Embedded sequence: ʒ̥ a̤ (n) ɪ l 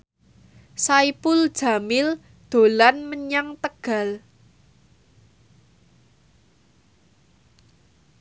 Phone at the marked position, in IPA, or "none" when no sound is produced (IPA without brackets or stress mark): m